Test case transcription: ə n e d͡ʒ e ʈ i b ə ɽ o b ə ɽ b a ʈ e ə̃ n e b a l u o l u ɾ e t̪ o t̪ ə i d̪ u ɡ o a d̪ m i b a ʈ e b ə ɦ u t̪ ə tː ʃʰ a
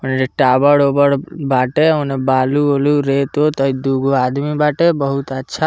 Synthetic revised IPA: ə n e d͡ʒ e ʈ a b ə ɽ o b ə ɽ b a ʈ e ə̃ n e b a l u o l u ɾ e t̪ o t̪ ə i d̪ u ɡ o a d̪ m i b a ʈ e b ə ɦ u t̪ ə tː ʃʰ a